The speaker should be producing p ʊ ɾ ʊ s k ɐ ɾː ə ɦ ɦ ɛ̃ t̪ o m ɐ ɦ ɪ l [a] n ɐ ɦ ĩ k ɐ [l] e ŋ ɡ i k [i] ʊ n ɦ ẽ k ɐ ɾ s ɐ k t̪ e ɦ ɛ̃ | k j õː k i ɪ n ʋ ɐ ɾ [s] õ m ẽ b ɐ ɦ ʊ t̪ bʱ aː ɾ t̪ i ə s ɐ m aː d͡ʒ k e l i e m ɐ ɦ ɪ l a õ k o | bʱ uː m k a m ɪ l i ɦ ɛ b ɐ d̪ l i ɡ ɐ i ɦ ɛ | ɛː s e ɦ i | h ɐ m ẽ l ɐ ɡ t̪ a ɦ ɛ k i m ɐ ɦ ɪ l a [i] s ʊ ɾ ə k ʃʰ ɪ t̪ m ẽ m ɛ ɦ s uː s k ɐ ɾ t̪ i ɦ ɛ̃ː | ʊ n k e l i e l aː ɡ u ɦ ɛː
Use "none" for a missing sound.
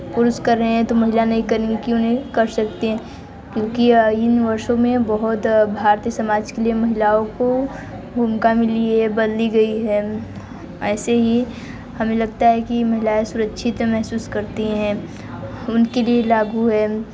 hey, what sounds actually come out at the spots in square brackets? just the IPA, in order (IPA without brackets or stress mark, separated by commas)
a, ɾ, i, ʃ, e